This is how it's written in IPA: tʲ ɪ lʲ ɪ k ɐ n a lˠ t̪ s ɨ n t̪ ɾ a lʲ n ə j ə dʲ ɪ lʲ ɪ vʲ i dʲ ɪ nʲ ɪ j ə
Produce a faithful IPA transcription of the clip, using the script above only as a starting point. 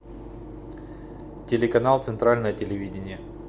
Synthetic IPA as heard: tʲ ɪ lʲ ɪ k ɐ n a lˠ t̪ s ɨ n t̪ ɾ a lʲ n ə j ə tʲ ɪ lʲ ɪ vʲ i dʲ ɪ nʲ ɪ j ə